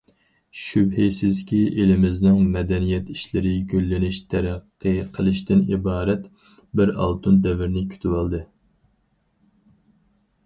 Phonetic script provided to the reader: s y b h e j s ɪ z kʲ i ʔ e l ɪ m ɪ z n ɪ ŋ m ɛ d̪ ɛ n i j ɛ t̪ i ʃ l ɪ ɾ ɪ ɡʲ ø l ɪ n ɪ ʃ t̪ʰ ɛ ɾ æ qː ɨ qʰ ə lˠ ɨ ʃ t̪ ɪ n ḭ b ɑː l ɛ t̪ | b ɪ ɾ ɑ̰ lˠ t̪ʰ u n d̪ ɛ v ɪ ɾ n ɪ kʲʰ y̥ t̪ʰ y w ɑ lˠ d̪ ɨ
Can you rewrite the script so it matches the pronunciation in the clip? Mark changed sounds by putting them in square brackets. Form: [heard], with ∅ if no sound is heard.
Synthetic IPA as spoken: [ʃ] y b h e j s ɪ z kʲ i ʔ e l ɪ m ɪ z n ɪ ŋ m ɛ d̪ ɛ n i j ɛ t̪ i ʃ l ɪ ɾ ɪ ɡʲ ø [lː] ɪ n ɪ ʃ t̪ʰ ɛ ɾ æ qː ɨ qʰ ə lˠ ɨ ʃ t̪ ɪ n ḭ b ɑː [ɾ] ɛ t̪ | b ɪ ɾ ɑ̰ lˠ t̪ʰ u n d̪ ɛ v ɪ ɾ n ɪ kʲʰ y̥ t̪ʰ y w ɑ lˠ d̪ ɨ

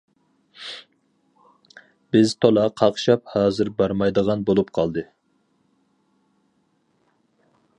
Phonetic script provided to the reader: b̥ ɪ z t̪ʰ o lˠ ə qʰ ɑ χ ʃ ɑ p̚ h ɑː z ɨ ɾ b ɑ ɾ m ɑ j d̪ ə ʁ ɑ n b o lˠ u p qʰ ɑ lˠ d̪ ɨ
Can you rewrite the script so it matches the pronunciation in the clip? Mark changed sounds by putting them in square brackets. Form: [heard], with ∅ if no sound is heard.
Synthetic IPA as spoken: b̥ ɪ z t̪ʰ o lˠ [ɑ] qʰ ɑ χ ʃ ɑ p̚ h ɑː z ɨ ɾ b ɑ ɾ m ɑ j d̪ ə ʁ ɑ n b o lˠ u p qʰ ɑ lˠ d̪ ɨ

